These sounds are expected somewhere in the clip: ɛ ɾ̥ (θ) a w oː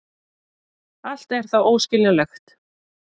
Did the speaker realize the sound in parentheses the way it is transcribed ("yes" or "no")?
yes